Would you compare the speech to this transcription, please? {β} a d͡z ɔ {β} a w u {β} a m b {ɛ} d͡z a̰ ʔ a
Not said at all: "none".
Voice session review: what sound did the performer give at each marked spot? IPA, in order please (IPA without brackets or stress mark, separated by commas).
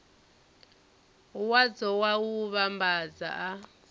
w, w, β, a